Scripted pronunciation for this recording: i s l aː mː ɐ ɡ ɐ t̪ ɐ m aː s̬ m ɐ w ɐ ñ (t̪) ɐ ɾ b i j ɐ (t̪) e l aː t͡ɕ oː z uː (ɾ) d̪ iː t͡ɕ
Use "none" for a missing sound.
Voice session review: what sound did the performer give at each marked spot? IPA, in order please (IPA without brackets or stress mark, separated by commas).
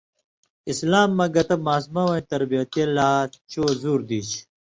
t̪, t̪, ɾ